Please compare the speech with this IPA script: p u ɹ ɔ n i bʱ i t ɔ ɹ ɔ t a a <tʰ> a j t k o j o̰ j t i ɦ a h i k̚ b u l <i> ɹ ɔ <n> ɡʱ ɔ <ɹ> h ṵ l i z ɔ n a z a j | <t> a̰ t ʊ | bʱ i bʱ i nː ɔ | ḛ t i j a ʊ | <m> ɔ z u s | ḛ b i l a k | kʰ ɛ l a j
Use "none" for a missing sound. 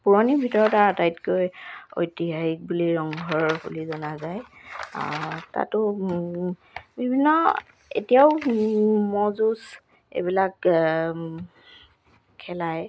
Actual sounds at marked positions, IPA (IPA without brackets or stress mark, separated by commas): t, i, ŋ, ɹ, t, m